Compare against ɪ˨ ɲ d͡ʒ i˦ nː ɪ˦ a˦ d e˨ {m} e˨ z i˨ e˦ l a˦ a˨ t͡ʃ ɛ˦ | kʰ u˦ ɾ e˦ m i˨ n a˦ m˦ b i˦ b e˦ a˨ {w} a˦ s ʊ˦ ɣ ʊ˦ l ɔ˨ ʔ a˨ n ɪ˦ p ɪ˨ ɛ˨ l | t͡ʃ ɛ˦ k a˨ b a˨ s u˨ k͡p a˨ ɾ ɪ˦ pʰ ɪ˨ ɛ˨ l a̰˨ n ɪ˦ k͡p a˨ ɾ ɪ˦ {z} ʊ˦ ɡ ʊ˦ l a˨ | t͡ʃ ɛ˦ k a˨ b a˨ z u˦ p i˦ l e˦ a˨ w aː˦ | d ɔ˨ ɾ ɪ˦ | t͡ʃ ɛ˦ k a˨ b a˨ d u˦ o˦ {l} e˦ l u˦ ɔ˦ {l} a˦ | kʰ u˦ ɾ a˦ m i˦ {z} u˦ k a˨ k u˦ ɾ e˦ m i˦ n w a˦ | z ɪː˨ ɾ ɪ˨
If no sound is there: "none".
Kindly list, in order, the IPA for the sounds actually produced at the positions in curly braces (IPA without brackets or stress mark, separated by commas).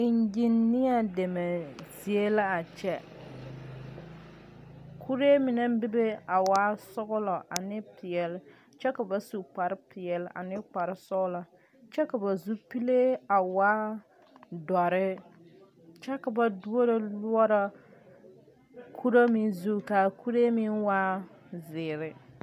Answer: m, w, s, ɾ, ɾ, z